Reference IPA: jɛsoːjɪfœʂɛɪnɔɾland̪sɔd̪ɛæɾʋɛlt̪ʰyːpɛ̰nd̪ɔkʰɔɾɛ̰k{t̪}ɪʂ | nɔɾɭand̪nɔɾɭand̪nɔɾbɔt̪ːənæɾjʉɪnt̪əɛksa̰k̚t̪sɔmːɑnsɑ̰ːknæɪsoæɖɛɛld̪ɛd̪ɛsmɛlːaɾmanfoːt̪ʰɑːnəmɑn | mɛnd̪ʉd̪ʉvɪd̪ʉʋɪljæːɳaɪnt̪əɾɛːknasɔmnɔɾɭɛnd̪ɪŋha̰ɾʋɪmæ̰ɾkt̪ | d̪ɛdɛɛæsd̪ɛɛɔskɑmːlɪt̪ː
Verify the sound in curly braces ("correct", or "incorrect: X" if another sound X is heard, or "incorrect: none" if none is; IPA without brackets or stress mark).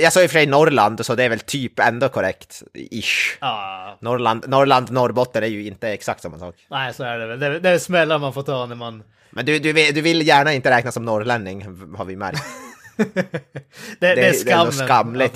correct